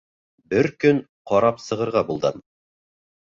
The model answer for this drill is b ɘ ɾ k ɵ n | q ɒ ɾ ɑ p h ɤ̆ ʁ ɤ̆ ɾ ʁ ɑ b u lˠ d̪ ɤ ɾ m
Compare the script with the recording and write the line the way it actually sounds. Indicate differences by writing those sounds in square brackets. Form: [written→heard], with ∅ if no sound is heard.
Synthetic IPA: b ɘ ɾ k ɵ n | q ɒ ɾ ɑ p [h→s] ɤ̆ ʁ ɤ̆ ɾ ʁ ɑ b u lˠ d̪ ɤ [ɾ→∅] m